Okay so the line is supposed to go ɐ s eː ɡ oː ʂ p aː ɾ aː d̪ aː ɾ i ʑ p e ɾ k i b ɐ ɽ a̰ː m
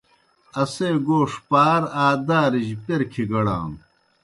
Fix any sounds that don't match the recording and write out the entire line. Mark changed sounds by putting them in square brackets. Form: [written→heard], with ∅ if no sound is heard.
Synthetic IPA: ɐ s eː ɡ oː ʂ p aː ɾ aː d̪ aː ɾ i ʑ p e ɾ [k→kʰ] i [b→ɡ] ɐ ɽ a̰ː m